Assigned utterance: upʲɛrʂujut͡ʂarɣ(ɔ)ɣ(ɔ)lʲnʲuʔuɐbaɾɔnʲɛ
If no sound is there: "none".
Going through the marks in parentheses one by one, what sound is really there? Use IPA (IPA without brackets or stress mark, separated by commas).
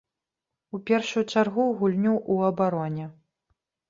u, u